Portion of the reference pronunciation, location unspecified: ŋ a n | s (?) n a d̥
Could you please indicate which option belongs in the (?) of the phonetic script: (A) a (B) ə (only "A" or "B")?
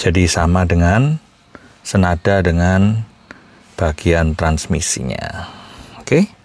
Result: B